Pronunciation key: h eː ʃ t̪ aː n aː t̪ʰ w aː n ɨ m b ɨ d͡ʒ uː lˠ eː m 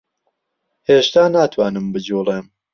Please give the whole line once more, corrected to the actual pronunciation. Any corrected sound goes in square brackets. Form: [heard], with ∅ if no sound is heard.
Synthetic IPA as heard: h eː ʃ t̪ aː n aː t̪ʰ w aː n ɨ m b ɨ d͡ʒ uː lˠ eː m